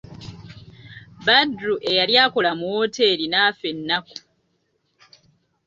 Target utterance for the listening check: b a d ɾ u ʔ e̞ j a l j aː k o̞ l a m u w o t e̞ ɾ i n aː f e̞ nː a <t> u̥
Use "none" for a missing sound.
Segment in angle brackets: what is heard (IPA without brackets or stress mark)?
k